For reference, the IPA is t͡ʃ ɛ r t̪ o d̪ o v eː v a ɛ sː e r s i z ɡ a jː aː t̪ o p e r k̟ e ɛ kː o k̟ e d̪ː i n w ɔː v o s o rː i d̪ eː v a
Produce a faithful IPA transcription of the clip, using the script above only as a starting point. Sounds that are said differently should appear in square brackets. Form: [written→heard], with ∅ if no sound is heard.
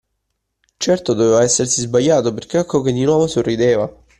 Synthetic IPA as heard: t͡ʃ ɛ r t̪ o d̪ o v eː v a ɛ sː e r s i z [ɡ→b] a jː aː t̪ o p e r k̟ e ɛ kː o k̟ e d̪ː i n w ɔː v o s o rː i d̪ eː v a